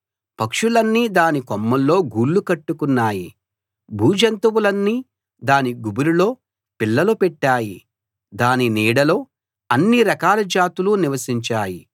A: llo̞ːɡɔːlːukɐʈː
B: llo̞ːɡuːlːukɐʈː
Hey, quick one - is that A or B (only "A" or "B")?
B